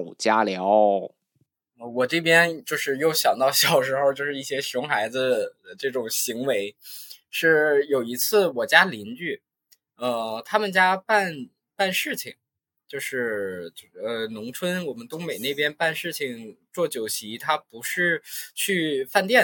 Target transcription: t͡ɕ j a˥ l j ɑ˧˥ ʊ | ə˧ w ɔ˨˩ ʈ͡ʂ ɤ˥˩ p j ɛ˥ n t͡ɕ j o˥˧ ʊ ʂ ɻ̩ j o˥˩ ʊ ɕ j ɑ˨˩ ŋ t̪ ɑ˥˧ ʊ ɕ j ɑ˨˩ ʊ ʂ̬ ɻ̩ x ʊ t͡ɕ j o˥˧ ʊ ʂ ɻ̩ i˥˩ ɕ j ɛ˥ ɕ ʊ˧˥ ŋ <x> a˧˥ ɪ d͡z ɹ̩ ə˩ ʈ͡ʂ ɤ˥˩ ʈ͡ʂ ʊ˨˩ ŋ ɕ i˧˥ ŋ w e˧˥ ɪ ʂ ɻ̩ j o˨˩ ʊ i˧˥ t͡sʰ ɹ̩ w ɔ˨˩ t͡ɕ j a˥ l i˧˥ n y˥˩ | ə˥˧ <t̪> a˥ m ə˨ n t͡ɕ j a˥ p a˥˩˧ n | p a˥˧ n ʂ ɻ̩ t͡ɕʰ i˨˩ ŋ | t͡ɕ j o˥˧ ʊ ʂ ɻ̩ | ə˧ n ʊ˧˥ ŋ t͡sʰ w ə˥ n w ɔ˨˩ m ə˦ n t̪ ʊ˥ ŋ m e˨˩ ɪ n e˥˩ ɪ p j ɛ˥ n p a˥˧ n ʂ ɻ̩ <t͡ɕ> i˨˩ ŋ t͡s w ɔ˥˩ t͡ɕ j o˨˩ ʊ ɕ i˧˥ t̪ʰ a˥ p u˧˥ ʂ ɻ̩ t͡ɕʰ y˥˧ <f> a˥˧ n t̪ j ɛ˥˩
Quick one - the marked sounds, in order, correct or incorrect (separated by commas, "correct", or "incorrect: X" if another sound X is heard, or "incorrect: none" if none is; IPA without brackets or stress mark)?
correct, incorrect: t̪ʰ, incorrect: t͡ɕʰ, correct